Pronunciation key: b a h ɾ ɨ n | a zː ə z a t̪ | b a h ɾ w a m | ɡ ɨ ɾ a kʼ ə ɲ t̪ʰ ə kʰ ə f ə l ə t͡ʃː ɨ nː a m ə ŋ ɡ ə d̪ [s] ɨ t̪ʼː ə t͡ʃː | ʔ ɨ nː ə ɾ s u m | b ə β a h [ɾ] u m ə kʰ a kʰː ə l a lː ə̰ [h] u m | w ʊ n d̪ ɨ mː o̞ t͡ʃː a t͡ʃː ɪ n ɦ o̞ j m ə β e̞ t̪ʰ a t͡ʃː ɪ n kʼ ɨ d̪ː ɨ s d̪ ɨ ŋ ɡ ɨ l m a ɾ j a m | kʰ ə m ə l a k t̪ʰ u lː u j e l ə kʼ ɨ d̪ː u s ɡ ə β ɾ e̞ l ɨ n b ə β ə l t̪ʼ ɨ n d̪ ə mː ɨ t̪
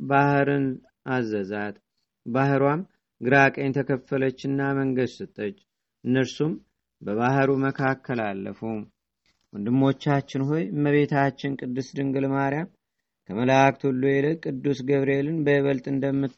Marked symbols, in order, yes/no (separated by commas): yes, yes, no